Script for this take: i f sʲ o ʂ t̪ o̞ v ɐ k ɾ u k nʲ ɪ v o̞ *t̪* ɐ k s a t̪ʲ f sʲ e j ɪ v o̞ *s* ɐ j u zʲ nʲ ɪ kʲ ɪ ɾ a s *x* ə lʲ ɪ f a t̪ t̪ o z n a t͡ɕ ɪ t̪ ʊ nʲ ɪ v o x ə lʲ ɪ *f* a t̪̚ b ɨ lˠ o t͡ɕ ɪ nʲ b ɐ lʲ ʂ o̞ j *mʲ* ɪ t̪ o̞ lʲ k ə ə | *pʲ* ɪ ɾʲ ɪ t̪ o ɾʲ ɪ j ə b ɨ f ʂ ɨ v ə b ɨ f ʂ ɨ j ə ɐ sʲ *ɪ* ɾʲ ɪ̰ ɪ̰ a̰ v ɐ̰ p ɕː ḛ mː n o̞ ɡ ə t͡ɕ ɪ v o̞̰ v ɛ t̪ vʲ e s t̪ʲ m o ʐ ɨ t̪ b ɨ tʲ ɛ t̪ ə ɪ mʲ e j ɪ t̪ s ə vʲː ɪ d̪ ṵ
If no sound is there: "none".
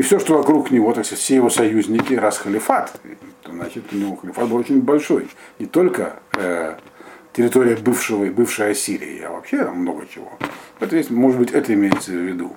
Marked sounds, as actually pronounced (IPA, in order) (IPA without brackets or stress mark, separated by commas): t̪, s, x, f, nʲ, tʲ, i